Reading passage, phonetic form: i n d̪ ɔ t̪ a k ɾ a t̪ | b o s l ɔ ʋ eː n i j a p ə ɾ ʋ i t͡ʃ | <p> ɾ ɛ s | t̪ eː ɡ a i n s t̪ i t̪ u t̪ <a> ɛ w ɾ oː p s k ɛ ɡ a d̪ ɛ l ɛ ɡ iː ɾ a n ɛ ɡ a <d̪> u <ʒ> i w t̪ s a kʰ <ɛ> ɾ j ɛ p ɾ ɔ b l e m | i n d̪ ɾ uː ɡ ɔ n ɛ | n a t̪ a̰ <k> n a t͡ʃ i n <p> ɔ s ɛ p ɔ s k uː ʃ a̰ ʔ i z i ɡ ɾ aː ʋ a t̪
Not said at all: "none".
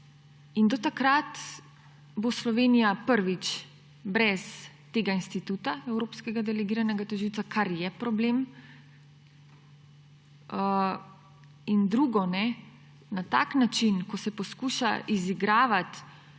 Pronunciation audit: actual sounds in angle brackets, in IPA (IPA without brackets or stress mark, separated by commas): b, a, t̪, ʒ, a, k, k